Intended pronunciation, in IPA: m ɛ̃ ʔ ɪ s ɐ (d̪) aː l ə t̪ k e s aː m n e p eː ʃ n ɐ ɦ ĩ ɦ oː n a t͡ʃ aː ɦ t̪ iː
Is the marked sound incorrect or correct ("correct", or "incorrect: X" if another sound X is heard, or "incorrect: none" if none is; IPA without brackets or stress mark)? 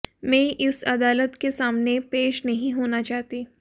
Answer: correct